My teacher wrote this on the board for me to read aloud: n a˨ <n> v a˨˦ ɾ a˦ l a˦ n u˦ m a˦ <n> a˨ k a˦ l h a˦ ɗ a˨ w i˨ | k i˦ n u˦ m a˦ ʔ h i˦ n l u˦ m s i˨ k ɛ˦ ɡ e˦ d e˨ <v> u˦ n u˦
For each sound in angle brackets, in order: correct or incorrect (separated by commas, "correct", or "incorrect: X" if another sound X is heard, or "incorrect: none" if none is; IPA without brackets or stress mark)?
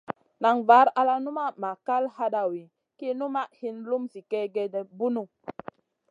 incorrect: ŋ, incorrect: m, incorrect: b